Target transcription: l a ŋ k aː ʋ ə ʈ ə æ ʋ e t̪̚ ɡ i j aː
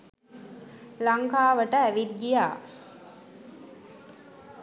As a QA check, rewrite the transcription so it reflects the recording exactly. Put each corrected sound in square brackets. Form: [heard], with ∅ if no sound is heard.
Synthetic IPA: l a ŋ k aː ʋ ə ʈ ə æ ʋ [i] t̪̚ ɡ i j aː